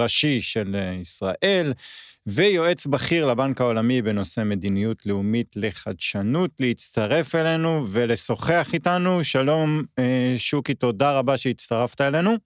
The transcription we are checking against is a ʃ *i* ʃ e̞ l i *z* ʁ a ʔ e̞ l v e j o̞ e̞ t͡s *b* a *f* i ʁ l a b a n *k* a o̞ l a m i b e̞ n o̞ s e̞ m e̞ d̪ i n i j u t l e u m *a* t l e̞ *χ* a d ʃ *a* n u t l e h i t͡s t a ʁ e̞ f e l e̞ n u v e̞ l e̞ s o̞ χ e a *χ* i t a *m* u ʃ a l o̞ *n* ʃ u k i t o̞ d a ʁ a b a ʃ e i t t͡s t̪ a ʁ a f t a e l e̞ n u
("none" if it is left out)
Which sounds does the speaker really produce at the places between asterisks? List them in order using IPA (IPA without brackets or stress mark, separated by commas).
i, s, b, χ, k, i, χ, a, χ, n, m